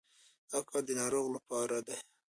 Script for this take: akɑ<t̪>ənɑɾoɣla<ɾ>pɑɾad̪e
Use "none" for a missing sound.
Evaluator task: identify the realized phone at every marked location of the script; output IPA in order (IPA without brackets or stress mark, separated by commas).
d̪, none